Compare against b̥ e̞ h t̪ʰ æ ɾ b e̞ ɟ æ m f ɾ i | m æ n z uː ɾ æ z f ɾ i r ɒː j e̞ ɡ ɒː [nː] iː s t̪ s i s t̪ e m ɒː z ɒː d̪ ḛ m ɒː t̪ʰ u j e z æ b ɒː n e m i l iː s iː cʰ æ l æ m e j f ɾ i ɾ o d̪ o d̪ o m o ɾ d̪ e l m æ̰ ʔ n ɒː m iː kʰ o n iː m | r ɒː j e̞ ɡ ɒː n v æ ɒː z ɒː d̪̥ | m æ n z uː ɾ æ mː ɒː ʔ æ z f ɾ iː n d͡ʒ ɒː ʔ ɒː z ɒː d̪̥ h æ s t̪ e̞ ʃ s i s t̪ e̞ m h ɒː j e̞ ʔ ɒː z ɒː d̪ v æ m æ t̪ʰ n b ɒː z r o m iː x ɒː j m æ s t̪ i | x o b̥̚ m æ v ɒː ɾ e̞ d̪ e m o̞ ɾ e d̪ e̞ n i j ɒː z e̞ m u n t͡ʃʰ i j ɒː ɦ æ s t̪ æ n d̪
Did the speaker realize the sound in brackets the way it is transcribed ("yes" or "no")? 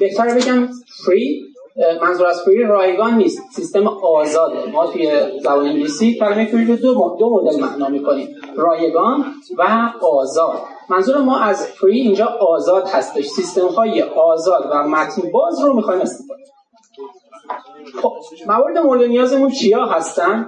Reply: yes